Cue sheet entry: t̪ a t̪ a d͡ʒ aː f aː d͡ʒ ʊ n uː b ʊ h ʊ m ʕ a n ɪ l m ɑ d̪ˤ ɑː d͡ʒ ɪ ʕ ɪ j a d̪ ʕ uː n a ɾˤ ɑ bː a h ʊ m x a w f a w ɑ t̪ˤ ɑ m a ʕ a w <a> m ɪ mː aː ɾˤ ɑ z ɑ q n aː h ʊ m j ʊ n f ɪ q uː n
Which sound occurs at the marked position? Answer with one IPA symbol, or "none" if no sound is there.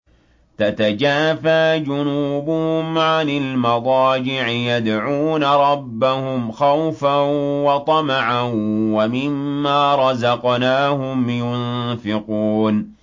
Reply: a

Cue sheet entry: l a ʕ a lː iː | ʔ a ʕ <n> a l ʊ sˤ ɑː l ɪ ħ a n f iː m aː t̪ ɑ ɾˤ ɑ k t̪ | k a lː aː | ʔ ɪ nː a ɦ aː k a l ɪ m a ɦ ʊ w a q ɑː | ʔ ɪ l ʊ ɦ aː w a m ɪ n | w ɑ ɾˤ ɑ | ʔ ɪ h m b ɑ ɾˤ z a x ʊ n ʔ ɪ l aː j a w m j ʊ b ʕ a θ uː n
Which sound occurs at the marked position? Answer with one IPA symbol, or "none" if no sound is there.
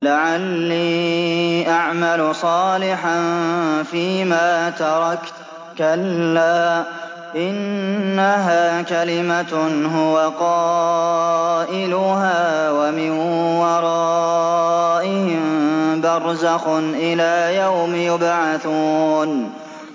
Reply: m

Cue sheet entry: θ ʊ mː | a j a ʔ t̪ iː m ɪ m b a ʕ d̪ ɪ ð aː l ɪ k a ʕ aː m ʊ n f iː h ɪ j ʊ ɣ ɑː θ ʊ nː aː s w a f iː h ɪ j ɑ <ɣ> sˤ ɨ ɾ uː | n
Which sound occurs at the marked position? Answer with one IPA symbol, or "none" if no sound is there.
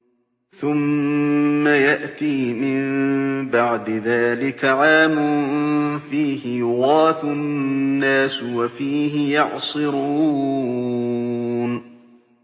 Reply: ʕ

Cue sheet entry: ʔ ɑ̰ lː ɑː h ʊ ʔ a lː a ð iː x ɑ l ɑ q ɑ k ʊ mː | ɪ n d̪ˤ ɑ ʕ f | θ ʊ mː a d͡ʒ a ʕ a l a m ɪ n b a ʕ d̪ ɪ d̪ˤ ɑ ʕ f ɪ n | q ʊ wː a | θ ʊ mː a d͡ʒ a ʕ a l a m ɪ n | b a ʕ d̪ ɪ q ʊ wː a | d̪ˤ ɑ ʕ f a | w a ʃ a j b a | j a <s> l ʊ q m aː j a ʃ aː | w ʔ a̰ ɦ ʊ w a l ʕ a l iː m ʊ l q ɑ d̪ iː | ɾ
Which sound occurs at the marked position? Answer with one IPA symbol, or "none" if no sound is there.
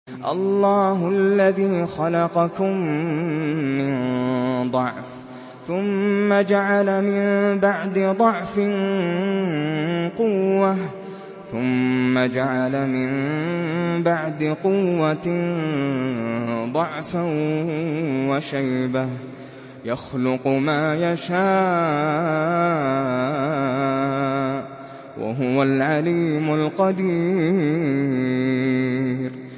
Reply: x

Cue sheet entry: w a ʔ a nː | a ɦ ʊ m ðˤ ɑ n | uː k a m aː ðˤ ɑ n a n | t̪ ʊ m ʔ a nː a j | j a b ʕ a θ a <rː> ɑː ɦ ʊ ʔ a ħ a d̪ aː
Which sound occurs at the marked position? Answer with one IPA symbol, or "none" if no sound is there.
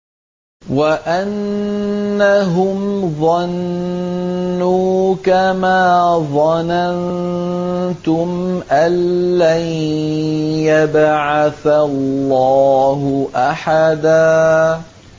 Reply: lː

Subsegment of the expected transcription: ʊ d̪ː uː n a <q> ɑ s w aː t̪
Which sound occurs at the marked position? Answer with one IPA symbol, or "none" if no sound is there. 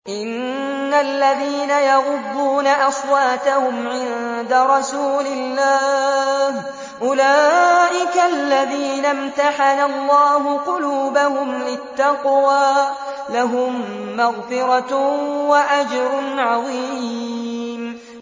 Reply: ʔ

